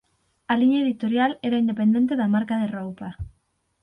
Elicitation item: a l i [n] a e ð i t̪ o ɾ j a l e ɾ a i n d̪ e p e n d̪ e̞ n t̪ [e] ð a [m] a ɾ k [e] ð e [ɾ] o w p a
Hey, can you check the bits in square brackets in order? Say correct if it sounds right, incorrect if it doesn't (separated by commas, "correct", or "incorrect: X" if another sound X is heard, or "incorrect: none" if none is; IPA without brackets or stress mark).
incorrect: ɲ, correct, correct, incorrect: a, incorrect: r